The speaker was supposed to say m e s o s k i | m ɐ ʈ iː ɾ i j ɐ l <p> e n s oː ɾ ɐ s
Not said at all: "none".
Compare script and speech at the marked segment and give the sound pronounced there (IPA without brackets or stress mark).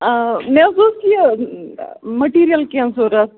k